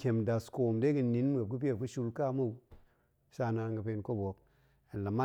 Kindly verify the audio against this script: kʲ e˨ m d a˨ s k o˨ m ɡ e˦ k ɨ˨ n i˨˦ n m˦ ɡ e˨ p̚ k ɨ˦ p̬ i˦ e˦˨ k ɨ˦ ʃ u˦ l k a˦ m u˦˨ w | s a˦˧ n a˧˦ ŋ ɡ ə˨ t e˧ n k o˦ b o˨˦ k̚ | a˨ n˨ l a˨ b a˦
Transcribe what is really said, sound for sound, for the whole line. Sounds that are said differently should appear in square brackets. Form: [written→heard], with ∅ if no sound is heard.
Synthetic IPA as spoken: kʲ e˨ m d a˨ s k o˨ m [ɡ→d] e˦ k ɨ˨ n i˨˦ n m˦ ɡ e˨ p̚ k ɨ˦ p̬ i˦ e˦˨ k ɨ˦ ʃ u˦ l k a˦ m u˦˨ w | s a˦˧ n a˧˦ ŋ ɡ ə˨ [t→p] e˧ n k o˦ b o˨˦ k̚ | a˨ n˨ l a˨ [b→m] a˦